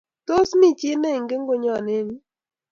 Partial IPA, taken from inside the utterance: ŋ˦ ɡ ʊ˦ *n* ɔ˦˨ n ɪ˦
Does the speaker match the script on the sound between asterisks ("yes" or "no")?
no